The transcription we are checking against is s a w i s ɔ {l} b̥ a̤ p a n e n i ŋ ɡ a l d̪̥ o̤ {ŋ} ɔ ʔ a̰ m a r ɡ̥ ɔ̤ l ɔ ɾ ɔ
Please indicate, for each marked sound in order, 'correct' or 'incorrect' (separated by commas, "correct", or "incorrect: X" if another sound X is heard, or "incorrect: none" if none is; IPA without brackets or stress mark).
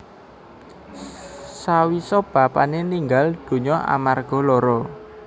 incorrect: none, incorrect: ɲ